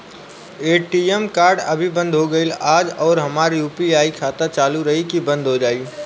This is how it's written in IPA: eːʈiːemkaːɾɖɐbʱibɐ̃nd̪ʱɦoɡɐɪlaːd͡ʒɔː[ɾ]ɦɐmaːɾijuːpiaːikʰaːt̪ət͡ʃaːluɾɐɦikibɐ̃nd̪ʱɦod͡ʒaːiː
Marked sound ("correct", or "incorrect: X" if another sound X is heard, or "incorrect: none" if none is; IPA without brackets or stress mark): correct